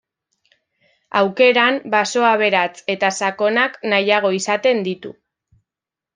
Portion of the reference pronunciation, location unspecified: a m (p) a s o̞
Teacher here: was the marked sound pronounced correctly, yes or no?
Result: no